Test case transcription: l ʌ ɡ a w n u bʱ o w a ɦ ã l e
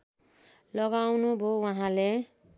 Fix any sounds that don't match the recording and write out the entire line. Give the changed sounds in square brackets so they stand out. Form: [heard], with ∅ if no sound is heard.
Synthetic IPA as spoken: l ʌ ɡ a w n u bʱ o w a ɦ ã l e